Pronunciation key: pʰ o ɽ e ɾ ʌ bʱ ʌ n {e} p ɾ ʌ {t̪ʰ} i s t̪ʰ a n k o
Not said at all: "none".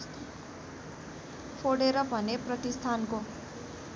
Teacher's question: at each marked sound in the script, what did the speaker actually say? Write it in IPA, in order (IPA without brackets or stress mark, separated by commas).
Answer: e, t̪